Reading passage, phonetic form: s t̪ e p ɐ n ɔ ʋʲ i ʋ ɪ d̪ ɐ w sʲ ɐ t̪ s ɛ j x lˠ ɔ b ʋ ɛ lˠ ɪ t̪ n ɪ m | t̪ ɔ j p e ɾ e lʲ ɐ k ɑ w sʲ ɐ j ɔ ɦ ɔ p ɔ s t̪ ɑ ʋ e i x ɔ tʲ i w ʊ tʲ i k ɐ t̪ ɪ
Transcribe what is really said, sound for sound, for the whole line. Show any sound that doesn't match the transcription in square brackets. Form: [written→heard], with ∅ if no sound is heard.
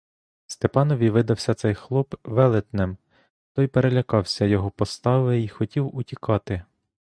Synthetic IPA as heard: s t̪ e p [ɐ→ɑ] n ɔ ʋʲ i ʋ ɪ d̪ ɐ w sʲ ɐ t̪ s ɛ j x lˠ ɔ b ʋ ɛ lˠ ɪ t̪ n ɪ m | t̪ ɔ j p e ɾ e lʲ ɐ k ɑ w sʲ ɐ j ɔ ɦ ɔ p ɔ s t̪ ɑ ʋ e i x ɔ tʲ i w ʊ tʲ i k [ɐ→ɑ] t̪ ɪ